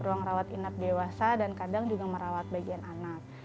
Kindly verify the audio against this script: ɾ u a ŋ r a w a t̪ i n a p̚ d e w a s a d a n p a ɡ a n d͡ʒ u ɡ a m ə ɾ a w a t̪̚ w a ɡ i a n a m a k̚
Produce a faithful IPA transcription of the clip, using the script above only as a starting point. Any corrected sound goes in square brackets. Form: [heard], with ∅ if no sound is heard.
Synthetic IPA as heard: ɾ u a ŋ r a w a t̪ i n a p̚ d e w a s a d a n [k] a [d] a [ŋ] d͡ʒ u ɡ a m ə ɾ a w a t̪̚ [b] a ɡ i a n a [n] a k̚